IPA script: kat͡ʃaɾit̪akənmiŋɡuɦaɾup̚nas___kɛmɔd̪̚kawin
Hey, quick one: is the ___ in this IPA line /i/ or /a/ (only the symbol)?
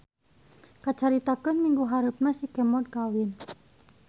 i